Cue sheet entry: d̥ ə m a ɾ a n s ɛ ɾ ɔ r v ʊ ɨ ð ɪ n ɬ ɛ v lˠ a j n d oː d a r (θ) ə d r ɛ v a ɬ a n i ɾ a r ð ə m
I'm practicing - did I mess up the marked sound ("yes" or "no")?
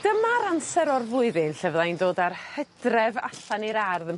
yes